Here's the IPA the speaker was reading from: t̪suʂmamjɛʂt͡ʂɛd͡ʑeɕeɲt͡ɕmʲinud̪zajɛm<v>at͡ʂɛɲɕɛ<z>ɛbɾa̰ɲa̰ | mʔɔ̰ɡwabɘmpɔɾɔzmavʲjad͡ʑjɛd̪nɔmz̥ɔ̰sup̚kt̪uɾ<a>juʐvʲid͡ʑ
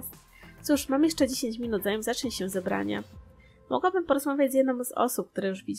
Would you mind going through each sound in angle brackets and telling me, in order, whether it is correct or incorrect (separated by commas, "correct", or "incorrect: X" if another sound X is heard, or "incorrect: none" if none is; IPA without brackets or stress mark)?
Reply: incorrect: z, correct, incorrect: ɛ